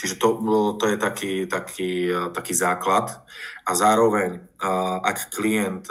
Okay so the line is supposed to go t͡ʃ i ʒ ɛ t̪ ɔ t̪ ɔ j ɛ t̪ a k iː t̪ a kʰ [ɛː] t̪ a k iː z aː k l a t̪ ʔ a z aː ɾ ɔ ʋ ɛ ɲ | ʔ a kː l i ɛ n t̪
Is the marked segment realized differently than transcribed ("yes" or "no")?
yes